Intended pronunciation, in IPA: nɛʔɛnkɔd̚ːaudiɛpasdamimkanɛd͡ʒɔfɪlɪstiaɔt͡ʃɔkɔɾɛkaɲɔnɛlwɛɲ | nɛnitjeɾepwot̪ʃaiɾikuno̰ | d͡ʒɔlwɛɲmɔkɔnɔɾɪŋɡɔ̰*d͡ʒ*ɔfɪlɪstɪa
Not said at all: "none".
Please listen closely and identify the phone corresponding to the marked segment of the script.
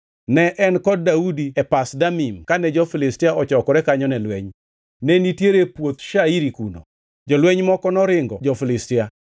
d͡ʒ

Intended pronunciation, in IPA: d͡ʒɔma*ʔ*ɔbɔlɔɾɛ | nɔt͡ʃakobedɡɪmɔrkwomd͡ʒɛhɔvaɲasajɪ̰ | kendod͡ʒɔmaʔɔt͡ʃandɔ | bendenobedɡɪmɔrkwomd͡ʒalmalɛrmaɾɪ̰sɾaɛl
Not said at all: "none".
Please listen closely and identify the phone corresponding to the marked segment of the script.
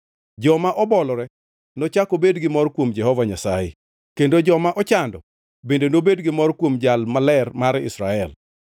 ʔ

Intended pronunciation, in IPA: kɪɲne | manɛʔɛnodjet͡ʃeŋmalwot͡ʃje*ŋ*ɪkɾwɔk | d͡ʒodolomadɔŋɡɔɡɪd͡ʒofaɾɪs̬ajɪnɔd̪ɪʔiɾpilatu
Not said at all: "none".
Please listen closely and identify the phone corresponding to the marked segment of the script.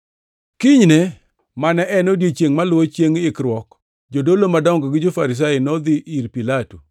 ŋ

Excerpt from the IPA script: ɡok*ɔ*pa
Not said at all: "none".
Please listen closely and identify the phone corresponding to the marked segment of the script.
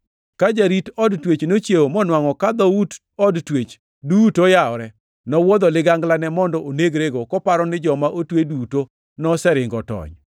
ɔ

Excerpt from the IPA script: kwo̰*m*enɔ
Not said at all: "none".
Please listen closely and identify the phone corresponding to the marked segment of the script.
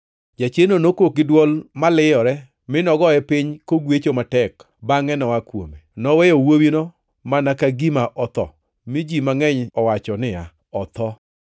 m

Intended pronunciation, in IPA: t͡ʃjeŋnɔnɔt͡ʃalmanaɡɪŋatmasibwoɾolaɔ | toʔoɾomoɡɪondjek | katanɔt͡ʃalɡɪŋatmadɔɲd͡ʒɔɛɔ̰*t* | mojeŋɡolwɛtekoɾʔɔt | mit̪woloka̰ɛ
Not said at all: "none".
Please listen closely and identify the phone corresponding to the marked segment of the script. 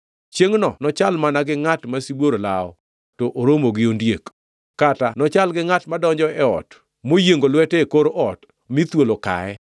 t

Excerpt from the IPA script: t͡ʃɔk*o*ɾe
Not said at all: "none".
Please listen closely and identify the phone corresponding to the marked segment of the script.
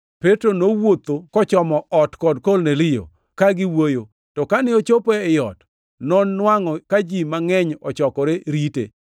ɔ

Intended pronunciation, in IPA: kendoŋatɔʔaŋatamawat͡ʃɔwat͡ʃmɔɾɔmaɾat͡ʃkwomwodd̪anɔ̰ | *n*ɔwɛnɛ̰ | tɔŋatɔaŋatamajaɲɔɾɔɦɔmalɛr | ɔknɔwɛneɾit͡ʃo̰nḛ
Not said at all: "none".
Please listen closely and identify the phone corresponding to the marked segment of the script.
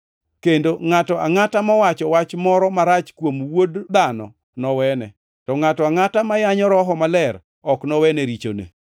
n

